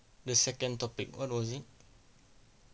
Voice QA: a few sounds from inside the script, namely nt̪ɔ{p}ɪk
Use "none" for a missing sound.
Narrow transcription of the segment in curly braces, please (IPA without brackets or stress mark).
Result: p